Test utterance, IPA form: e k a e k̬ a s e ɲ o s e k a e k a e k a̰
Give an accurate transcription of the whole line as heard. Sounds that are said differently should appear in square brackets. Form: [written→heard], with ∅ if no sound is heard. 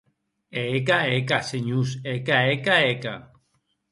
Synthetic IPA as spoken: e k a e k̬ a s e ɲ [o→u] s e k a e k a e k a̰